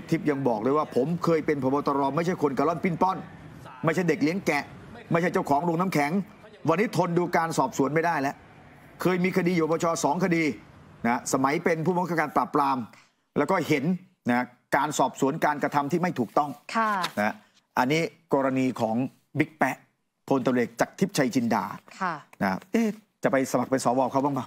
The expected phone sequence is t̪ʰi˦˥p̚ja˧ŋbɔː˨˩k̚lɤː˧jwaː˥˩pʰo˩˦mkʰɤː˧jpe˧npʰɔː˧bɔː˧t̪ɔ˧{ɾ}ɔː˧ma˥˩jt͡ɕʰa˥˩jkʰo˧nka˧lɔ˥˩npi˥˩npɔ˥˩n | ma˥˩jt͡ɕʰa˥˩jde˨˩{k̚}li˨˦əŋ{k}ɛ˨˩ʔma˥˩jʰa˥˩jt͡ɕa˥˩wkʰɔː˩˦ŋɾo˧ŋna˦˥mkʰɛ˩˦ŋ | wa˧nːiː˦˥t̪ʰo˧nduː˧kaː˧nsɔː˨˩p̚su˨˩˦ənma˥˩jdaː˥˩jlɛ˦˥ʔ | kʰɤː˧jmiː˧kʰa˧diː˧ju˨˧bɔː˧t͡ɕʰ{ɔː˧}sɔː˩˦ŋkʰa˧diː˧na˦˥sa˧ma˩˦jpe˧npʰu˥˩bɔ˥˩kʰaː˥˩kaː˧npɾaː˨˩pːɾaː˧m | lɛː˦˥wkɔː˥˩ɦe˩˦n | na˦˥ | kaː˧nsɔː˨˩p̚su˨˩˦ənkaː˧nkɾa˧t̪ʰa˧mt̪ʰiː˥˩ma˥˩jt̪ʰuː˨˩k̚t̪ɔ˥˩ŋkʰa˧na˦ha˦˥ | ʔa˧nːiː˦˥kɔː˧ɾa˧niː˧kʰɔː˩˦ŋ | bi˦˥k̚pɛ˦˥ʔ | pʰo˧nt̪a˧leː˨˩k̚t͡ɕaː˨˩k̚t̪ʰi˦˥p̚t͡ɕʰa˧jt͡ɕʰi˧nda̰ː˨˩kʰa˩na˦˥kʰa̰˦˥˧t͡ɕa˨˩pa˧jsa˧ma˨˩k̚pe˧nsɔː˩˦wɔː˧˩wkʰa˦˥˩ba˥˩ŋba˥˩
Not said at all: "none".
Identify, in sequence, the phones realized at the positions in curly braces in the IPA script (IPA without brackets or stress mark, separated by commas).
ɾ, k̚, k, ɔː˧